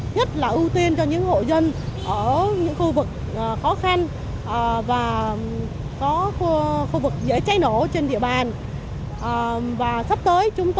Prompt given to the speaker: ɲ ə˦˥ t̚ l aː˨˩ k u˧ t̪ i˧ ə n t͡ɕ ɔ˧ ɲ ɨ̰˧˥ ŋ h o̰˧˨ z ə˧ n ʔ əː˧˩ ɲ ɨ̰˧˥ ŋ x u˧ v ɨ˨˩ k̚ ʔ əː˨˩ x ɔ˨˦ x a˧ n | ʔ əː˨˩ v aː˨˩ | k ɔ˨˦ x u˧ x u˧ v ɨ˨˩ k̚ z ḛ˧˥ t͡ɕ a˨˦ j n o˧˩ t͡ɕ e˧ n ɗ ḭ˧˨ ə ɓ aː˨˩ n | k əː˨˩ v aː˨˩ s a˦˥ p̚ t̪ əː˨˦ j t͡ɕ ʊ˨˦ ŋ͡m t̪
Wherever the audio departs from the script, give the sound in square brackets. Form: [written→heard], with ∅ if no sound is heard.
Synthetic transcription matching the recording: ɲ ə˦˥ t̚ l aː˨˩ [k→ʔ] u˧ t̪ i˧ ə n t͡ɕ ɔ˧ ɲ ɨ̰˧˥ ŋ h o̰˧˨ z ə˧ n ʔ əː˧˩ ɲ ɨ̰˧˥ ŋ x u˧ v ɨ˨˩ k̚ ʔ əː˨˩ x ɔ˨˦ x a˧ n | ʔ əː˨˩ v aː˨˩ | k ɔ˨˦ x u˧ x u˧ v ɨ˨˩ k̚ z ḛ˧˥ t͡ɕ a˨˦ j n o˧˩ t͡ɕ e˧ n ɗ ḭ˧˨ ə ɓ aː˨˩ n | [k→ʔ] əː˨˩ v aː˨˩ s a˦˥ p̚ t̪ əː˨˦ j t͡ɕ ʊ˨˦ ŋ͡m t̪

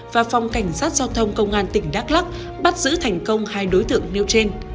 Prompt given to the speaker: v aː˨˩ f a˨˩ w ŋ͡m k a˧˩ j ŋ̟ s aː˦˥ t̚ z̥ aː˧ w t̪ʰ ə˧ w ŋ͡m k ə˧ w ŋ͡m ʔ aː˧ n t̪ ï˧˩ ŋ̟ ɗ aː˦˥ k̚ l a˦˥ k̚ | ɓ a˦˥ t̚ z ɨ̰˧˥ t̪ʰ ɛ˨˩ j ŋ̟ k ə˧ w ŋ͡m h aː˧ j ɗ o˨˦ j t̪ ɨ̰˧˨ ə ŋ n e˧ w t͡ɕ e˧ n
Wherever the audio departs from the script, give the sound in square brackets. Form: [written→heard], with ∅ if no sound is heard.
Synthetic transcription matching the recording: v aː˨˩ f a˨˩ w ŋ͡m k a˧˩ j ŋ̟ s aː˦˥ t̚ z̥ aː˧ w t̪ʰ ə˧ w ŋ͡m k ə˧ w ŋ͡m ʔ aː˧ n t̪ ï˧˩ ŋ̟ ɗ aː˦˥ k̚ l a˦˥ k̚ | ɓ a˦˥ t̚ z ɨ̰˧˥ t̪ʰ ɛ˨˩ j ŋ̟ k ə˧ w ŋ͡m h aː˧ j ɗ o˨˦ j t̪ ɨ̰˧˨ ə ŋ n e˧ w t͡ɕ e˧ n

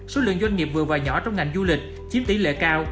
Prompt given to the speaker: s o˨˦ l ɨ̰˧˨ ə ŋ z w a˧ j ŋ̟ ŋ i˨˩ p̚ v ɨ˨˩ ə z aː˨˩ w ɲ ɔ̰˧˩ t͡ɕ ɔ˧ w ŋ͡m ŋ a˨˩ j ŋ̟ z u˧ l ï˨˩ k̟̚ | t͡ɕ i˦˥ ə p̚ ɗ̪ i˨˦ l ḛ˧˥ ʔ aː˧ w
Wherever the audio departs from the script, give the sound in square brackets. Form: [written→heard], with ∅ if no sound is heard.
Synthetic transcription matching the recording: s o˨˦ l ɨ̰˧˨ ə ŋ z w a˧ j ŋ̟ ŋ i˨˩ p̚ v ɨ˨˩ ə [z→v] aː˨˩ w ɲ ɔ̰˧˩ t͡ɕ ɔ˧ w ŋ͡m ŋ a˨˩ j ŋ̟ z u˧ l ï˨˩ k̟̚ | t͡ɕ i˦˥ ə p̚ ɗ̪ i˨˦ l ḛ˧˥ [ʔ→k] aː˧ w

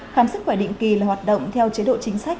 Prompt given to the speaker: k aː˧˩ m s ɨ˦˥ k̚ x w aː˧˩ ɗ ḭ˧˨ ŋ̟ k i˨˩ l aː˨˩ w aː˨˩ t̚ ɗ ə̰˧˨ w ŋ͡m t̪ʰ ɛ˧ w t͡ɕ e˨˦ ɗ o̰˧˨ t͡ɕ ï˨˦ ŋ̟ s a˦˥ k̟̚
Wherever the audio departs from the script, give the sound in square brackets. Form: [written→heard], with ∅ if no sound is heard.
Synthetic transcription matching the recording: [k→x] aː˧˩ m s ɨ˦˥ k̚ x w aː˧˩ ɗ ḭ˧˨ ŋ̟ k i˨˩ l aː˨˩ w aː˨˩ t̚ ɗ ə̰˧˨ w ŋ͡m t̪ʰ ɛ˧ w t͡ɕ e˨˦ ɗ o̰˧˨ t͡ɕ ï˨˦ ŋ̟ s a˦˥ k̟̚

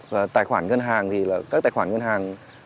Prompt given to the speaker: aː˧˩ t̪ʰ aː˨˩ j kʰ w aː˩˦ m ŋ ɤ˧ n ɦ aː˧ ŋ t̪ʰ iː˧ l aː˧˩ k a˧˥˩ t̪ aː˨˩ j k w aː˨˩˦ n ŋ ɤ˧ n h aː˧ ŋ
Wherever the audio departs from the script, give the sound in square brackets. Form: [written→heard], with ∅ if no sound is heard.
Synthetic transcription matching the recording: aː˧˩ [t̪ʰ→t̪] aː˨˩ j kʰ w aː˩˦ [m→n] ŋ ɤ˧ n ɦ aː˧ ŋ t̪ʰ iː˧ l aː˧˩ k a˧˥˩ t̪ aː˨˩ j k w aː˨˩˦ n ŋ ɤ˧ n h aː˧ ŋ

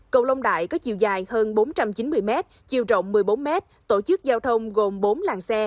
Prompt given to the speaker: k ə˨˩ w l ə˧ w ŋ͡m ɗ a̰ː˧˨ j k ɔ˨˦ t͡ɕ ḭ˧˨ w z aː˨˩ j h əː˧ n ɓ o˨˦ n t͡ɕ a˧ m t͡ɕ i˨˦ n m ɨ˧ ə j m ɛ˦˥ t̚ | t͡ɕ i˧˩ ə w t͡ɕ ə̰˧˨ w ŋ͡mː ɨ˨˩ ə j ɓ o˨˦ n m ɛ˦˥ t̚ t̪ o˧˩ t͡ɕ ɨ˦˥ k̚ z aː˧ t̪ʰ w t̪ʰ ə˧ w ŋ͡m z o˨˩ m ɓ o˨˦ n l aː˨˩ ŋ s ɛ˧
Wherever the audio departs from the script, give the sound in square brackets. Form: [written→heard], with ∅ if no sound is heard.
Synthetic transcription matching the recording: k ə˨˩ w l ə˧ w ŋ͡m ɗ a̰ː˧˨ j k ɔ˨˦ t͡ɕ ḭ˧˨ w z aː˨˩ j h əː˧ n ɓ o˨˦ n t͡ɕ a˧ m t͡ɕ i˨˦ n m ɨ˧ ə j m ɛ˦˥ t̚ | t͡ɕ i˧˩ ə w t͡ɕ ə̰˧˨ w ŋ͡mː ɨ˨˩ ə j ɓ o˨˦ n m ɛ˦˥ t̚ t̪ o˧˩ t͡ɕ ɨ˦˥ k̚ z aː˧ [t̪ʰ→∅] w t̪ʰ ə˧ w ŋ͡m [z→ɣ] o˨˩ m ɓ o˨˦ n l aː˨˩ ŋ s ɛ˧

